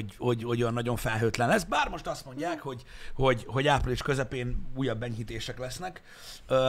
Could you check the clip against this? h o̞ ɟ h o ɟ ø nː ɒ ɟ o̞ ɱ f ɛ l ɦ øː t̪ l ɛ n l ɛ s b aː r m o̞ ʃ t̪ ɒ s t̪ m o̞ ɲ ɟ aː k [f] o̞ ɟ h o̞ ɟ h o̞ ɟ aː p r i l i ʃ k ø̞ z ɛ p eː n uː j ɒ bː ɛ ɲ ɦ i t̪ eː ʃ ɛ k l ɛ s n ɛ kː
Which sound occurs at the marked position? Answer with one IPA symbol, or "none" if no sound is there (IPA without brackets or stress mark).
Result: h